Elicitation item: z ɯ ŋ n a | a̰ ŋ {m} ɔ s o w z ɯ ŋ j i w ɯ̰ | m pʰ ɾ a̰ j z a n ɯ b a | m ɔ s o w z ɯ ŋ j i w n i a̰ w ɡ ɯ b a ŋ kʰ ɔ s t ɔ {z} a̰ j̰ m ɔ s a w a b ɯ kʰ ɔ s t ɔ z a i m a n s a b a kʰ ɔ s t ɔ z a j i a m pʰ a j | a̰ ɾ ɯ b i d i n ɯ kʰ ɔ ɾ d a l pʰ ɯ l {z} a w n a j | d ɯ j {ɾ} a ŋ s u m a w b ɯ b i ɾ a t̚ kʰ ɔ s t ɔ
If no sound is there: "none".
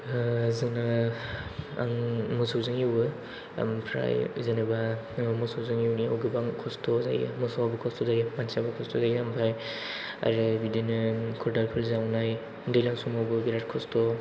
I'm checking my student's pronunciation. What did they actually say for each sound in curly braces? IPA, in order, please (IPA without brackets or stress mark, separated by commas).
m, z, z, l